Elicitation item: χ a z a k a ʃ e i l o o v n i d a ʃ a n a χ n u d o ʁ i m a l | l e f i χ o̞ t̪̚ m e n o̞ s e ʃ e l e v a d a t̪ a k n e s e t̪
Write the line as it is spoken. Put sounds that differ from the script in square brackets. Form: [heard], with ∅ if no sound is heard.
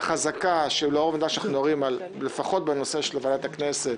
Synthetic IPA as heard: χ a z a k a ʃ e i l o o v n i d a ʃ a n a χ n u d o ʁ i m a l | l e f [a] χ o̞ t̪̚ [b] e n o̞ s e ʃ e l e v a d a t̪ a k n e s e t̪